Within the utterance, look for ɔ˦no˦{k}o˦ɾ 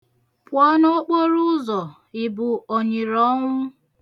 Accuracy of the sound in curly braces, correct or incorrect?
incorrect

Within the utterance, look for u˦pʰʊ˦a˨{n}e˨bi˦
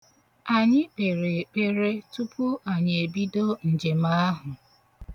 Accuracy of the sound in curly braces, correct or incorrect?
incorrect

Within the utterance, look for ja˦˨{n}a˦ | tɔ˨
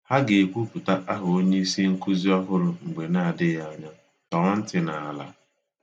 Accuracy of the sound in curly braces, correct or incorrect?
incorrect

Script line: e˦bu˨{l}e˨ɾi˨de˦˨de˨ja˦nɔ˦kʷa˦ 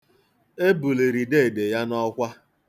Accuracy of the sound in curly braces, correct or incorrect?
correct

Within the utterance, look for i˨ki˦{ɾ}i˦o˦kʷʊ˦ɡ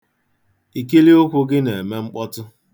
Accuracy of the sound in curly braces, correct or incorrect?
incorrect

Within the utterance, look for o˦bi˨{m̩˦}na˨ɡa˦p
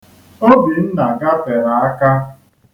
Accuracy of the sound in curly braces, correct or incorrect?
incorrect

